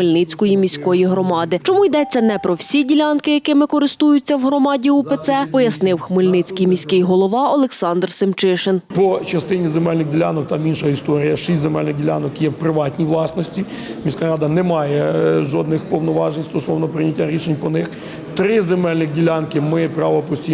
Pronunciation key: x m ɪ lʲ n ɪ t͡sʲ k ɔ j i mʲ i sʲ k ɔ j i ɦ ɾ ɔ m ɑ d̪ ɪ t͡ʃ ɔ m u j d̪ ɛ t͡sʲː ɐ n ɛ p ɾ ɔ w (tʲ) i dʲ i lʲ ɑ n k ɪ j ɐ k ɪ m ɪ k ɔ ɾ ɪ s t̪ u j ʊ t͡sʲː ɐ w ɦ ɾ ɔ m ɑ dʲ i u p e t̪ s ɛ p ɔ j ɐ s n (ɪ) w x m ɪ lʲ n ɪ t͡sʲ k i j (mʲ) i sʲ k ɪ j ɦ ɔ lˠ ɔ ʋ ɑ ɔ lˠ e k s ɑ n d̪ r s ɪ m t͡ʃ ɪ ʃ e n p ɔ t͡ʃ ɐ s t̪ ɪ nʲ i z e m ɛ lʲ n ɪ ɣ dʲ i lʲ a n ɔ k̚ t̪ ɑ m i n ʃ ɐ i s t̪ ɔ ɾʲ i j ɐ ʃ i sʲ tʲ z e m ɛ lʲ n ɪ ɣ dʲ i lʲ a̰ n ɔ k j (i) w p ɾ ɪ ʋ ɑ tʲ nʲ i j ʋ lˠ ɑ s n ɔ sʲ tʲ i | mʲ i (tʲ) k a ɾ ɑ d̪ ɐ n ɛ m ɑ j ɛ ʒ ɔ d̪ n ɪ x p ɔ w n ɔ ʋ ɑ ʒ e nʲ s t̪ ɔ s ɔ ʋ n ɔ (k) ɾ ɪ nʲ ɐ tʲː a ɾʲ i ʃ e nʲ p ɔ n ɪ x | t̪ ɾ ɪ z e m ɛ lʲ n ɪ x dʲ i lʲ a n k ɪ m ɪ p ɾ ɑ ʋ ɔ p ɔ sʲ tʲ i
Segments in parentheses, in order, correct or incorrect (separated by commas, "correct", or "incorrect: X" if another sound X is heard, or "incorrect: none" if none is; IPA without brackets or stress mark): incorrect: sʲ, correct, correct, incorrect: ɛ, incorrect: sʲ, incorrect: p